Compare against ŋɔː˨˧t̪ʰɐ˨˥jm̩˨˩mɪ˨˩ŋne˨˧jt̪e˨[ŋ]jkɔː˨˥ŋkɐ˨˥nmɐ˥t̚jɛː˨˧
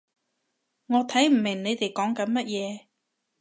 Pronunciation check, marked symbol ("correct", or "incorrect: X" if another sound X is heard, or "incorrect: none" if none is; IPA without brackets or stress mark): incorrect: none